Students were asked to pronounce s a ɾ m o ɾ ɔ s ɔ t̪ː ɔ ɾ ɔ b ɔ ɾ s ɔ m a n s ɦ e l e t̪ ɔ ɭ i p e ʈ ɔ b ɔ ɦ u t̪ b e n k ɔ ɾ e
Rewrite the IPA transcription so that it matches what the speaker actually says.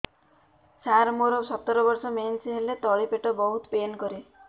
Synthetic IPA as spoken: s a ɾ m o ɾ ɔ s ɔ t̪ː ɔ ɾ ɔ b ɔ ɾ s ɔ m e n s ɦ e l e t̪ ɔ ɭ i p e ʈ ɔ b ɔ ɦ u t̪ p e n k ɔ ɾ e

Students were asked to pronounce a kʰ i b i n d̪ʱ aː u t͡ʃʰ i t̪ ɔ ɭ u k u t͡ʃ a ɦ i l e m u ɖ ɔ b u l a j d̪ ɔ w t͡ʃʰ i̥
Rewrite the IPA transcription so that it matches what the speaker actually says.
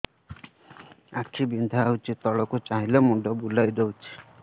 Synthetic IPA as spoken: a kʰ i b i n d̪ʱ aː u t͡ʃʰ i t̪ ɔ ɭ ɔ k u t͡ʃ a ɦ i l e m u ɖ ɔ b u l a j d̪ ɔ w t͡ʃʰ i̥

